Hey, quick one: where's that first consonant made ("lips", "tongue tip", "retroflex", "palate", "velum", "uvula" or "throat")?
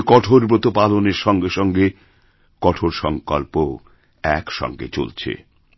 velum